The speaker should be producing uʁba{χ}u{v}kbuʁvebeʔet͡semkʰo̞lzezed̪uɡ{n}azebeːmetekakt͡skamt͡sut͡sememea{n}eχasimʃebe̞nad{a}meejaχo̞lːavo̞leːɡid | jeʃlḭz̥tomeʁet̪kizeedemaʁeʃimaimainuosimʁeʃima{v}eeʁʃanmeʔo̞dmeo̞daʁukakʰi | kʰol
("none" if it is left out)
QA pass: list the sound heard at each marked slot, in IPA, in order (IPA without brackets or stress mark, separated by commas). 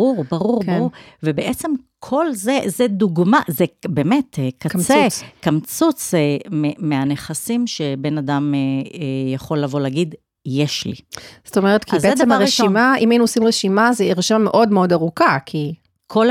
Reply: ʁ, ʁ, m, n, a, z